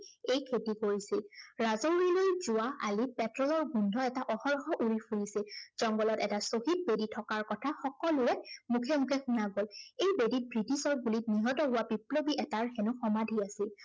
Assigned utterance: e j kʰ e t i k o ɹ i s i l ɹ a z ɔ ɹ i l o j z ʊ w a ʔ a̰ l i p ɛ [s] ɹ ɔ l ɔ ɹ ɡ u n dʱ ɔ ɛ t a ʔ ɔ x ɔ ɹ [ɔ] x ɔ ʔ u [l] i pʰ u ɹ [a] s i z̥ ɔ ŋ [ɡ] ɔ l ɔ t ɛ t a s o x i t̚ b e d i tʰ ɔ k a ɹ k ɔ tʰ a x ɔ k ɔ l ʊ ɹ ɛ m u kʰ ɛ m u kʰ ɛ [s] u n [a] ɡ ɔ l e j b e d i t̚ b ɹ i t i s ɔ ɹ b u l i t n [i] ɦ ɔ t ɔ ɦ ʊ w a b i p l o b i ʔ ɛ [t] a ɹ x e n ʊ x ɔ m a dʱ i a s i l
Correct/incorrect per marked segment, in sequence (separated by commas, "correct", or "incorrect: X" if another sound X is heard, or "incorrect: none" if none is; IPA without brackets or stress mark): incorrect: t, correct, incorrect: ɹ, incorrect: i, correct, incorrect: x, correct, correct, correct